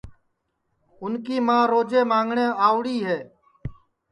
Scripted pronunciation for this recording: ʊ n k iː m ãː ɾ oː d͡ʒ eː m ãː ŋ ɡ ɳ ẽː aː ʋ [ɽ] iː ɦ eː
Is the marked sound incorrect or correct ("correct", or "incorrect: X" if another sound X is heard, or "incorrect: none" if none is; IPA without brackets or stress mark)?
correct